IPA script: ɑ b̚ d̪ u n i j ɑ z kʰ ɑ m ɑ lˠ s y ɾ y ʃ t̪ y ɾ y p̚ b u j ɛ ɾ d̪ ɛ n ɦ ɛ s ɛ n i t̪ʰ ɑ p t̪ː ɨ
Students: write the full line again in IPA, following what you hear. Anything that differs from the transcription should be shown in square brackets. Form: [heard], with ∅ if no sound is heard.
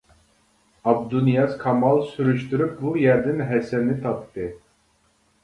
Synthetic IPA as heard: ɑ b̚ d̪ u n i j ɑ z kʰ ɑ m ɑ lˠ s y ɾ y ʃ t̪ y ɾ y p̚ b u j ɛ ɾ d̪ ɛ n ɦ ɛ s ɛ n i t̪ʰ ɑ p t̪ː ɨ